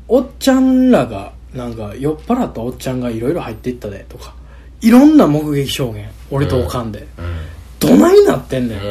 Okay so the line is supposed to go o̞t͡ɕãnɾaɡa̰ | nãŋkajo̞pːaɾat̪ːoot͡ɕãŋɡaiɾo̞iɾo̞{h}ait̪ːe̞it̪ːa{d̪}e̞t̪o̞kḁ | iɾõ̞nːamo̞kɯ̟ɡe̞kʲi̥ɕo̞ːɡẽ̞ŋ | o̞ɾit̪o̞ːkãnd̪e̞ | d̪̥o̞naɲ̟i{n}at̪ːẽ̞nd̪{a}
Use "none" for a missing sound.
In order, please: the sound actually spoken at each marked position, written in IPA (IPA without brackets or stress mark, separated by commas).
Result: h, d̪, n, e